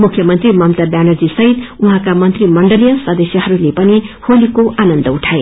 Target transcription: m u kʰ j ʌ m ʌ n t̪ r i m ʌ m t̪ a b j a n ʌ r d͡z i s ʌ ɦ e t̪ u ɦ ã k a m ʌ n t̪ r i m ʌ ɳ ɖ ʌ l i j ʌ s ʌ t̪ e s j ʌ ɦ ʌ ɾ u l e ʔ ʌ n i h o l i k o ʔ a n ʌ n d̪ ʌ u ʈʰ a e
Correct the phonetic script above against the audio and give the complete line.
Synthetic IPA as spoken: m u kʰ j ʌ m ʌ n t̪ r i m ʌ m t̪ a b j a n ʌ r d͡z i s ʌ ɦ i t̪ u ɦ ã k a m ʌ n t̪ r i m ʌ ɳ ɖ ʌ l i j ʌ s ʌ d̪ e s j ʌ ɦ ʌ ɾ u l e p ʌ n i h o l i k o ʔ a n ʌ n d̪ ʌ u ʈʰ a e